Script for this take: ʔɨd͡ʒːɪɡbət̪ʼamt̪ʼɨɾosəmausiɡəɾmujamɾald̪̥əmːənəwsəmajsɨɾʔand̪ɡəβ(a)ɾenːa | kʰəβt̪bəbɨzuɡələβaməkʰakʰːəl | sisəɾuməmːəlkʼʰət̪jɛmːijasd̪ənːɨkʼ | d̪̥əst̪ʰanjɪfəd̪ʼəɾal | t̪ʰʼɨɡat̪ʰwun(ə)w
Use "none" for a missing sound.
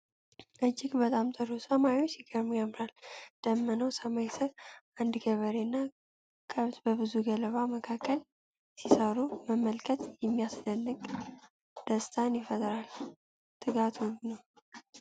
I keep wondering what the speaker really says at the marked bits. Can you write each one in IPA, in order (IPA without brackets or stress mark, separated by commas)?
ə, ə